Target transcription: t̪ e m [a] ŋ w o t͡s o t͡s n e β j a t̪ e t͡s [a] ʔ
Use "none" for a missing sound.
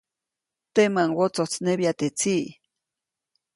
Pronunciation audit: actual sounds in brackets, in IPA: a, i

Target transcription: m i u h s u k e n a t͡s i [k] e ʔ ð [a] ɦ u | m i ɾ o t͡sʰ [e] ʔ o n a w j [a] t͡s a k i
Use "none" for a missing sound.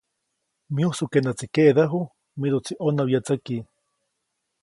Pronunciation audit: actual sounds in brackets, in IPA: k, a, i, a

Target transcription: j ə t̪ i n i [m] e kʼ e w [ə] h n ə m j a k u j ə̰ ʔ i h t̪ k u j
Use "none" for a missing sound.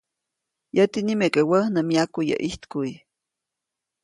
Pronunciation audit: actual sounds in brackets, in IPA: m, ə

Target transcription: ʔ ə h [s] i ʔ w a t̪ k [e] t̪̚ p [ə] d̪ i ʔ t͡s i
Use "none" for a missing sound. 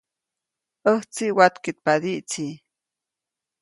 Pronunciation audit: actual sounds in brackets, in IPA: t͡s, i, a

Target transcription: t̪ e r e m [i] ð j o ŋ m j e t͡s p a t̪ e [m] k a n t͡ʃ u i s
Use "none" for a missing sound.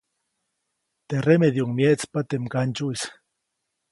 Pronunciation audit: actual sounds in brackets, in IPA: e, m

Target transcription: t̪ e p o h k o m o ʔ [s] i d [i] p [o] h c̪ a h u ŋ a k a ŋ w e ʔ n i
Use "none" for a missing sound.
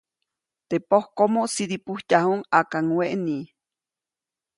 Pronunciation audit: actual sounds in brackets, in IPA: s, i, u

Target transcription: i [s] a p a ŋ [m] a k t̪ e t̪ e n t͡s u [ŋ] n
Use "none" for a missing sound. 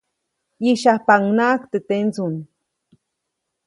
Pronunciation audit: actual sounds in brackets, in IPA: ʃ, n, none

